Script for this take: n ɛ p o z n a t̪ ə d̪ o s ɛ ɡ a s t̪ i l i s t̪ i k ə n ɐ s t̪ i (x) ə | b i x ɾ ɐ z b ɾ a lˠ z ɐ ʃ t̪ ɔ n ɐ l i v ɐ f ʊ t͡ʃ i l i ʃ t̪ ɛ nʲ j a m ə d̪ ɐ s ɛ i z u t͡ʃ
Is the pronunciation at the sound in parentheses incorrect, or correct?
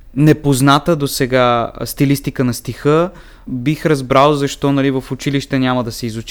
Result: correct